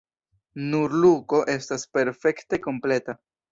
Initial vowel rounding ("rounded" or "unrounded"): rounded